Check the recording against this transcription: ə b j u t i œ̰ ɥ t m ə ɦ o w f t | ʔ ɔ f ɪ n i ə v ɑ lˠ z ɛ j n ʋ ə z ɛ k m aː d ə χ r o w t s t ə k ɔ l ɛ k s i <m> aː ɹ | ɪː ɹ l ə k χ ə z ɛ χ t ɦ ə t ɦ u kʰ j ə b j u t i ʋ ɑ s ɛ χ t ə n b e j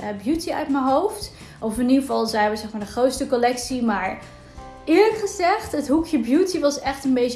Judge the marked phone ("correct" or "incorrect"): correct